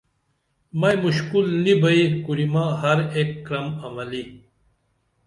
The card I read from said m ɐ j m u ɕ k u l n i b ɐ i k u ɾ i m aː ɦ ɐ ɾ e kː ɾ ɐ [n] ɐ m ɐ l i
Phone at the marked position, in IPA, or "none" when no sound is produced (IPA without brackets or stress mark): m